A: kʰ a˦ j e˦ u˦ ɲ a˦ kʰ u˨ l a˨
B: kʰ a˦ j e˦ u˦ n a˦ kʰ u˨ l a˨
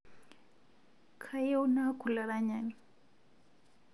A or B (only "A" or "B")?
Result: B